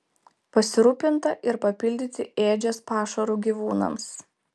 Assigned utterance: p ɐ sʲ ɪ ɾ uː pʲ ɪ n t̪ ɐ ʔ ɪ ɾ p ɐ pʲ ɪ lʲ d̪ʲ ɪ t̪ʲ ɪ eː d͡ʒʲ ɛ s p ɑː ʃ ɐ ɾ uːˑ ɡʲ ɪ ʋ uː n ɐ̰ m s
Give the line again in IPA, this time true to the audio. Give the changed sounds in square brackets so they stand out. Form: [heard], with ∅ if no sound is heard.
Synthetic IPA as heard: p ɐ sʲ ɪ ɾ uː pʲ ɪ n t̪ ɐ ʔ ɪ ɾ p ɐ pʲ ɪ lʲ d̪ʲ ɪ t̪ʲ ɪ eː d͡ʒʲ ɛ s p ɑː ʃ ɐ ɾ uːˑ ɡʲ [i] ʋ uː n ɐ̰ m s